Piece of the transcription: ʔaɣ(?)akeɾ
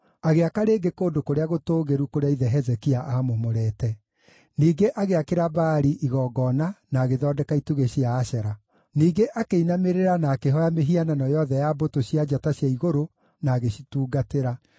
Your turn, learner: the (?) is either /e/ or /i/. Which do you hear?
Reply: e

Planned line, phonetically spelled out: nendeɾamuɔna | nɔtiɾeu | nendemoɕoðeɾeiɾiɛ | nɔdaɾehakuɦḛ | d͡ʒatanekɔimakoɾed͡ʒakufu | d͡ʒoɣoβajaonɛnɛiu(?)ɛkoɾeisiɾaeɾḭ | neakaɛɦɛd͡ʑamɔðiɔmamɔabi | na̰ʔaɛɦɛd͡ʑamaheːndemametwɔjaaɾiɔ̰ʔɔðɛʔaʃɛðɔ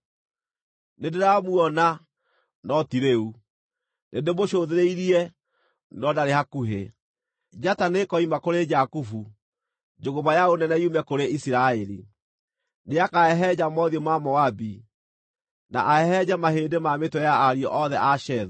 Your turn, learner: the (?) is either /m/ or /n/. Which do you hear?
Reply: m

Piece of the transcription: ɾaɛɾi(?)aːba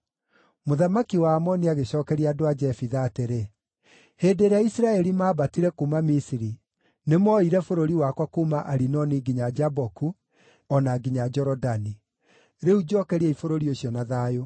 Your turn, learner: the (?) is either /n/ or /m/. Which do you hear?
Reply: m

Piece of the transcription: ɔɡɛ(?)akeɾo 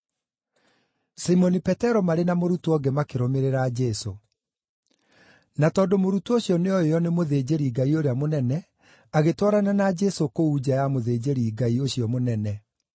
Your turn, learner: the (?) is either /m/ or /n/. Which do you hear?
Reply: m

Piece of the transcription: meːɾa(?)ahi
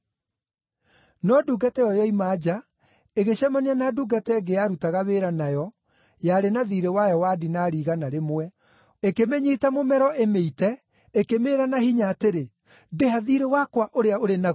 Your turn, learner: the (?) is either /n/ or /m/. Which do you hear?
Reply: n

